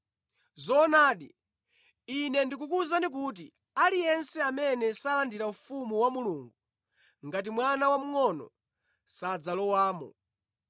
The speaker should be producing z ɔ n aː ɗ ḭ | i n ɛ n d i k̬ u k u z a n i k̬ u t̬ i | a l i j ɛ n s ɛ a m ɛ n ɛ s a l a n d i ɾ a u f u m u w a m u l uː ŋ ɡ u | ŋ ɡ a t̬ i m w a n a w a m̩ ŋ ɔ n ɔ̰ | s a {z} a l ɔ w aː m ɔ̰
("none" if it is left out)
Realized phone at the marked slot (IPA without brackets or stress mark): d͡z